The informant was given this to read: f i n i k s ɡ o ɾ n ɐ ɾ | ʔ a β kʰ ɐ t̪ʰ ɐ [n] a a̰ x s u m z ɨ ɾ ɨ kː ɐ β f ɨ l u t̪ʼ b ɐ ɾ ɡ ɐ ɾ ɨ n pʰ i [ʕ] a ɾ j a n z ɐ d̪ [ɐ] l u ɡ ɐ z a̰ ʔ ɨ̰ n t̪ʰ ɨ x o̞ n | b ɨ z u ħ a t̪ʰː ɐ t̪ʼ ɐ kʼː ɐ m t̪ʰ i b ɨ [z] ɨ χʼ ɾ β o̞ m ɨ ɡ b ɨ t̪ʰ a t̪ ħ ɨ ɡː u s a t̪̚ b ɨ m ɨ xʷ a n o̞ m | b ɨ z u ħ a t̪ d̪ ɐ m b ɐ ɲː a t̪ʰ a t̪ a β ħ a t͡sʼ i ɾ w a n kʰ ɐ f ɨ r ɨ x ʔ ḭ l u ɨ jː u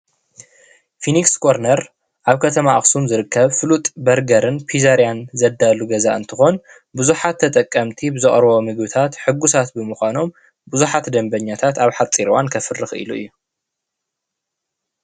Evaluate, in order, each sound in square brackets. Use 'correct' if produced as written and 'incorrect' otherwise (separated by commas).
incorrect, incorrect, incorrect, correct